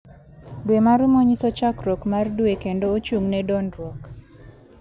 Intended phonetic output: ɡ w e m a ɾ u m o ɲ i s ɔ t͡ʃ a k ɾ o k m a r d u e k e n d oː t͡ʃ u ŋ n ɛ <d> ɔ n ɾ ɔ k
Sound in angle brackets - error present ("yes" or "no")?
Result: no